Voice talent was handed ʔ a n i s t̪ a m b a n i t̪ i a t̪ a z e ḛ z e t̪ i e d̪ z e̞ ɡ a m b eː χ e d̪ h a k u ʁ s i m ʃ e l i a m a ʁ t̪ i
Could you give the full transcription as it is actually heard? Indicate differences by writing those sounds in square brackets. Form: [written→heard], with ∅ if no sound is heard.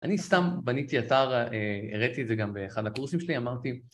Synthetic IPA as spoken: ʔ a n i s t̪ a m b a n i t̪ i a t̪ a [z→ʁ] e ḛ [z→ʁ] e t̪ i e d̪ z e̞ ɡ a m b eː χ [e→a] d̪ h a k u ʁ s i m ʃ e l i a m a ʁ t̪ i